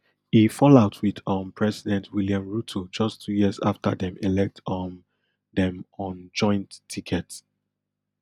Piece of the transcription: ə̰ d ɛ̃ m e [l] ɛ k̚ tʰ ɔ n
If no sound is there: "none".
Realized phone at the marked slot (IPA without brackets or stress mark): l